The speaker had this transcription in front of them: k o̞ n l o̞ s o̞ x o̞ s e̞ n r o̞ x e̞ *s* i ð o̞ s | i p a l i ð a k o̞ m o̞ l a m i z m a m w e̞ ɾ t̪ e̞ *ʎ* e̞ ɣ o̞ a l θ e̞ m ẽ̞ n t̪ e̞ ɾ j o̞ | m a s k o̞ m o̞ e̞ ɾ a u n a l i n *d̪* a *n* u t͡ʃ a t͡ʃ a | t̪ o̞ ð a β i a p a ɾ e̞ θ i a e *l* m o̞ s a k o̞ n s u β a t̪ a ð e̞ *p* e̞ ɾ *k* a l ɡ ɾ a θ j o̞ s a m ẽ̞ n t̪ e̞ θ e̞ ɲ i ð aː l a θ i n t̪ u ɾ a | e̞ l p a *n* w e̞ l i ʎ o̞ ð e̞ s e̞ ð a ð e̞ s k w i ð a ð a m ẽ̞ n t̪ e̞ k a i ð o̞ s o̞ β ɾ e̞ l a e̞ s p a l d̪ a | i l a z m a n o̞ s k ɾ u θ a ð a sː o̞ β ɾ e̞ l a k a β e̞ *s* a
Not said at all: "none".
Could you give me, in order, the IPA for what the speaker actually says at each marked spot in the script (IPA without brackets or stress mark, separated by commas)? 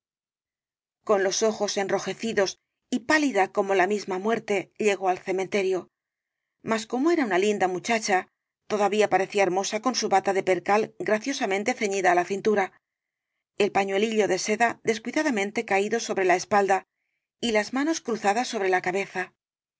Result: θ, ʎ, d̪, m, ɾ, p, k, ɲ, θ